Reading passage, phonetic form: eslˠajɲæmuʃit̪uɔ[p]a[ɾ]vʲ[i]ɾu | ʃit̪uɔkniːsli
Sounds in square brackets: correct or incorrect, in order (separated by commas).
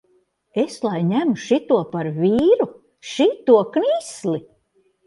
correct, correct, incorrect